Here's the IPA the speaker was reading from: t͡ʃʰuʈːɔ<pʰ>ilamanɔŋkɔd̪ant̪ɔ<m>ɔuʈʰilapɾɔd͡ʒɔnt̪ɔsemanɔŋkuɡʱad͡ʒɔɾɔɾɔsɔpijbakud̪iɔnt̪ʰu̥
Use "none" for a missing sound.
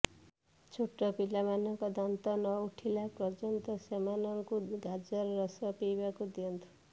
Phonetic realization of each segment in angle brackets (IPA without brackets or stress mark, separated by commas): p, n